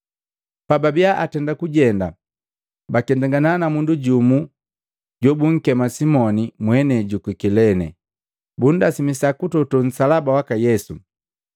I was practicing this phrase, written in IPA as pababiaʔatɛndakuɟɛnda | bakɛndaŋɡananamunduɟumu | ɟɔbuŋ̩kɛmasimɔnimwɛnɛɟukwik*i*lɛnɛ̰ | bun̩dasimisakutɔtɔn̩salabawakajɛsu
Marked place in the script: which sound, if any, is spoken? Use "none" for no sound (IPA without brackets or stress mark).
i